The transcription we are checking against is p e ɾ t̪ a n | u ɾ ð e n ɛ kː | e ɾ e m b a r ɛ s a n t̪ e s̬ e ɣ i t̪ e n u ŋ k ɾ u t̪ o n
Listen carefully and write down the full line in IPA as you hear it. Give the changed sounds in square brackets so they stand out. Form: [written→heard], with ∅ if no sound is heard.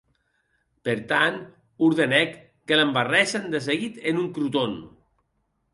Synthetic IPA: p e ɾ t̪ a n | u ɾ ð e n ɛ kː | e [ɾ→l] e m b a r ɛ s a n [t̪→d̪] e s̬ e ɣ i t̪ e n u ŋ k ɾ u t̪ o n